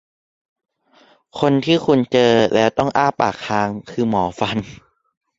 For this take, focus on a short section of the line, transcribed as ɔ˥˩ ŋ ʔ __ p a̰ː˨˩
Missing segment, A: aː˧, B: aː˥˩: B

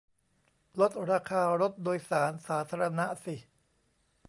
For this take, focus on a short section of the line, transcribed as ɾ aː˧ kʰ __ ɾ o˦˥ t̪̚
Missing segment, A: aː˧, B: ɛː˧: A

